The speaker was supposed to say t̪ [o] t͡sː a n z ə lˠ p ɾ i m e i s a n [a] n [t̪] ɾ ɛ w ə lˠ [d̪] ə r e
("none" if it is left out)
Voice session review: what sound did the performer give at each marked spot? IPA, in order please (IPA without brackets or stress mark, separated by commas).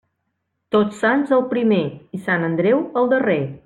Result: o, ə, d̪, d̪